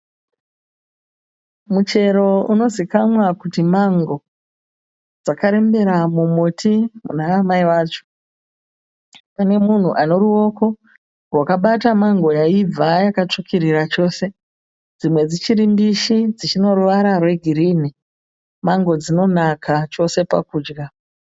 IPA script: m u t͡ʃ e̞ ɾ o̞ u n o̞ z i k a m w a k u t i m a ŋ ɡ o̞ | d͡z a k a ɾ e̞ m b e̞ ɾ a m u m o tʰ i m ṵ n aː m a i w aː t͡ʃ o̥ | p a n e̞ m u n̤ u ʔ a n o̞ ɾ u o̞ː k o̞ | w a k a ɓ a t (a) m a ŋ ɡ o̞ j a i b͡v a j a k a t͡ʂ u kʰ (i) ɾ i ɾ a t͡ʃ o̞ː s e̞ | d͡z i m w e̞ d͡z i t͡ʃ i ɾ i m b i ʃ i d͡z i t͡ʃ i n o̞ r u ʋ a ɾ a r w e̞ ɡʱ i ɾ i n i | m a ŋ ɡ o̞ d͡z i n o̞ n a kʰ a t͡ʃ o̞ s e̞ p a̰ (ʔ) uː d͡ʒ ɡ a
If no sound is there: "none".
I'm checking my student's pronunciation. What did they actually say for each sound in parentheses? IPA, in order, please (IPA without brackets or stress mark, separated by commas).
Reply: a, i, k